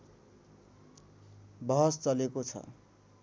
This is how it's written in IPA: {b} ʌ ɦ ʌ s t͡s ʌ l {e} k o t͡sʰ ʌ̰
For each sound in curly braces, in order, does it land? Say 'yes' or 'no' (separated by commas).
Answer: yes, yes